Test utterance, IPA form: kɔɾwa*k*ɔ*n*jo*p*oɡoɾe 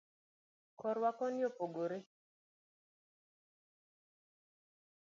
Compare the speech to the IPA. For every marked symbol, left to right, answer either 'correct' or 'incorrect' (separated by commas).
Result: correct, correct, correct